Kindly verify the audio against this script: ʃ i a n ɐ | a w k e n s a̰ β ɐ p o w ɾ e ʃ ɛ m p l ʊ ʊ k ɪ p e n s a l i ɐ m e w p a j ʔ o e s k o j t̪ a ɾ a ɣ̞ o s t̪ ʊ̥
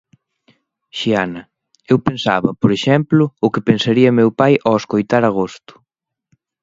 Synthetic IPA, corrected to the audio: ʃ i a n ɐ | e w p e n s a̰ β ɐ p o ɾ e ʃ ɛ m p l ʊ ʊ k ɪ p e n s a ɾ i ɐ m e w p a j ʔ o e s k o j t̪ a ɾ a ɣ̞ o s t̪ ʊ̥